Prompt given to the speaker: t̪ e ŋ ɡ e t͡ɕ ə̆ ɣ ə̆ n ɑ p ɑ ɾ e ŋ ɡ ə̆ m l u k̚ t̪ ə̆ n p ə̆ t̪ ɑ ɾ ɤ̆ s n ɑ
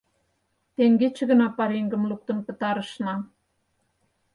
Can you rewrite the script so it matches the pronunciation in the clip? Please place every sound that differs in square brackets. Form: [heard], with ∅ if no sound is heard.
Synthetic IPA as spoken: t̪ e ŋ ɡ e t͡ɕ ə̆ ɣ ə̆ n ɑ p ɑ ɾ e ŋ ɡ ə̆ m l u k̚ t̪ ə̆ n p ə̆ t̪ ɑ ɾ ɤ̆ [ʃ] n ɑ